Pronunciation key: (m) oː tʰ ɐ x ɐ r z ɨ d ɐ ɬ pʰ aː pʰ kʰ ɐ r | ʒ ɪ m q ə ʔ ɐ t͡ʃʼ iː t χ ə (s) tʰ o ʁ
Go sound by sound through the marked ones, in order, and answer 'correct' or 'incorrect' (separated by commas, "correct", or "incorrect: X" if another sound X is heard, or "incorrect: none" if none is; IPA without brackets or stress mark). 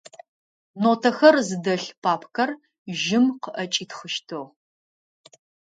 incorrect: n, incorrect: ʃ